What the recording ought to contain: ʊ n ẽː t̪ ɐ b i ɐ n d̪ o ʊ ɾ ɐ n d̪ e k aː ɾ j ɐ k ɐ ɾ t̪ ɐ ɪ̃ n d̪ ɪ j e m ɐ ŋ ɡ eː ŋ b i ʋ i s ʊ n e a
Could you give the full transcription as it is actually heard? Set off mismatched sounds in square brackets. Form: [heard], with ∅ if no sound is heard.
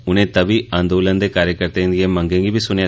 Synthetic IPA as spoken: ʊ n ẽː t̪ ɐ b i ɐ n d̪ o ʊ [l] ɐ n d̪ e k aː ɾ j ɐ k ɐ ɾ t̪ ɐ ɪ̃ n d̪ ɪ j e m ɐ ŋ ɡ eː ŋ [ɡ] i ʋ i s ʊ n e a